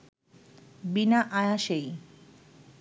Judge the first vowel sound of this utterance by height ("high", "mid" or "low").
high